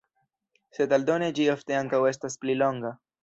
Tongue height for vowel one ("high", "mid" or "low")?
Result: mid